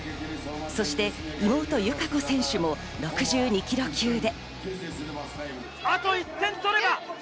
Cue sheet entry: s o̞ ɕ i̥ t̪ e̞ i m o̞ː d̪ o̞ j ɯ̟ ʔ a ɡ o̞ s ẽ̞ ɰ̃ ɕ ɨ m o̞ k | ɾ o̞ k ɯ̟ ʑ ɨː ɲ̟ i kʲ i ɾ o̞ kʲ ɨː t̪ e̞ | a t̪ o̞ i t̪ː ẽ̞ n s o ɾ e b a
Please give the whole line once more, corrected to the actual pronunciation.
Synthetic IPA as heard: s o̞ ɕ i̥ t̪ e̞ i m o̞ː t̪ o̞ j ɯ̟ k a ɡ o̞ s ẽ̞ ɰ̃ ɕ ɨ m o̞ | ɾ o̞ k ɯ̟ ʑ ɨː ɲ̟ i kʲ i ɾ o̞ kʲ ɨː d̪ e̞ | a t̪ o̞ i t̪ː ẽ̞ n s o ɾ e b a